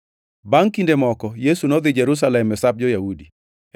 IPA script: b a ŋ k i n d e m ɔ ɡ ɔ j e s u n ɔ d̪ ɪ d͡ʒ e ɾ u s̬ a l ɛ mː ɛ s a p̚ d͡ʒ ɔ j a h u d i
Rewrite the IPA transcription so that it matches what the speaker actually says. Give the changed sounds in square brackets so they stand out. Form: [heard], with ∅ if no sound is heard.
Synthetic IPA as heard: b a ŋ k i n d e m ɔ [k] ɔ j e s u n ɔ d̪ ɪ d͡ʒ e ɾ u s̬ a l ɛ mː ɛ s a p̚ d͡ʒ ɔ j a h u d i